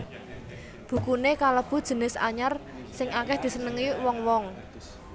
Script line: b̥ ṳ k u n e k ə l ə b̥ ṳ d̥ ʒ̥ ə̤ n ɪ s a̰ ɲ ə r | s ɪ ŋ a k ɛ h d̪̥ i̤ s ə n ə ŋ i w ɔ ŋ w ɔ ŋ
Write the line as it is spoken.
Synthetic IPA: b̥ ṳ k u n e k a l ə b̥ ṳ d̥ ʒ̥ ə̤ n ɪ s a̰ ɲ a r | s ɪ ŋ a k ɛ h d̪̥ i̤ s ə n ə ŋ i w ɔ ŋ w ɔ ŋ

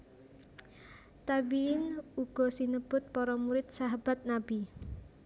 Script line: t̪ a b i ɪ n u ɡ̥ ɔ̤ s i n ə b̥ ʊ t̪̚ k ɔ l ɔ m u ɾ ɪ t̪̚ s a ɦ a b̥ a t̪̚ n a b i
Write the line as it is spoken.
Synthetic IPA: t̪ a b i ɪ n u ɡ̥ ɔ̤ s i n ə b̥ ʊ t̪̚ p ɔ ɾ ɔ m u ɾ ɪ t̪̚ s a ɦ a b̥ a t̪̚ n a b i

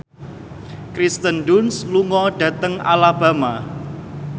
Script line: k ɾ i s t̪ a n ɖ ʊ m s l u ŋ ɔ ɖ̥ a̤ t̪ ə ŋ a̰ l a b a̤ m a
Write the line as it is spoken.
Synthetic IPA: k ɾ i s t̪ ə n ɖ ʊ n s l u ŋ ɔ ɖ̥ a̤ t̪ ə ŋ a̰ l a b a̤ m a

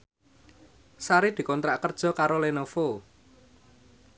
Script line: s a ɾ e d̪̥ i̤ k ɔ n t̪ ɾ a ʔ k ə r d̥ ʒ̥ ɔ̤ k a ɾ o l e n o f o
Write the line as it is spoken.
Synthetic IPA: s a ɾ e d̪̥ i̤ k ɔ n t̪ ɾ a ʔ k ə r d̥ ʒ̥ ɔ̤ k a ɾ o l e n o f o

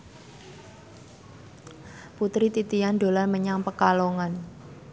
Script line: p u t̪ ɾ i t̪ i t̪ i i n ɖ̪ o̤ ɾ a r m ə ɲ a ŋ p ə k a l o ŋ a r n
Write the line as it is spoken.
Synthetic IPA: p u t̪ ɾ i t̪ i t̪ i a n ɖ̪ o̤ l a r m ə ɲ a ŋ p ə k a l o ŋ a n

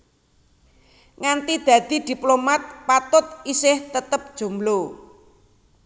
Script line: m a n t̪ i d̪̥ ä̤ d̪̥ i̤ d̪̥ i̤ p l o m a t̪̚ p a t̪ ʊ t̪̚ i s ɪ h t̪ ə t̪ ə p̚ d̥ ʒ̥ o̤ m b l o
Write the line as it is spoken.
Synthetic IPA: ŋ a n t̪ i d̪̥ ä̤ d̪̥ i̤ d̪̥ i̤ p l o m a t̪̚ p a t̪ ʊ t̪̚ i s ɪ h t̪ ə t̪ ə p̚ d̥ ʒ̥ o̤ m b l o

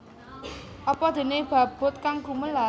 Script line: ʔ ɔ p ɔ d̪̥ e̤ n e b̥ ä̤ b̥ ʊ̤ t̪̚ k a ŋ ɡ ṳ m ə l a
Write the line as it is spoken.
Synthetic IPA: ʔ ɔ p ɔ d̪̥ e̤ n e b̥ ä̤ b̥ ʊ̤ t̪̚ k a ŋ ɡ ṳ m ə l a

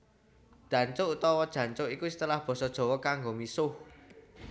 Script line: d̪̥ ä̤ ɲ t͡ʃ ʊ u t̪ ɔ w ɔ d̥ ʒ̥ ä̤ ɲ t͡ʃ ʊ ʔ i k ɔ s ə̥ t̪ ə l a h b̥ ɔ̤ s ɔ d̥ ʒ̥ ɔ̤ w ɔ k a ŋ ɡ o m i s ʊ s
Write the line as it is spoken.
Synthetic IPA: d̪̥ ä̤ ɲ t͡ʃ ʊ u t̪ ɔ w ɔ d̥ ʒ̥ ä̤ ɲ t͡ʃ ʊ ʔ i k u s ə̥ t̪ ə l a h b̥ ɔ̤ s ɔ d̥ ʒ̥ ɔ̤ w ɔ k a ŋ ɡ o m i s ʊ h

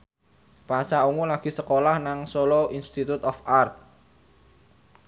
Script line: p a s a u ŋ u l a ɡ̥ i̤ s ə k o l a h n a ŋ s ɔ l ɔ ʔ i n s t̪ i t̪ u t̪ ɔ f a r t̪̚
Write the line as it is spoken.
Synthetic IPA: p a s a u ŋ u l a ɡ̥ i̤ s ə k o l a h n a ŋ s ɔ l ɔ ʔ i n s t̪ i t̪ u t̪ ɔ f a r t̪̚

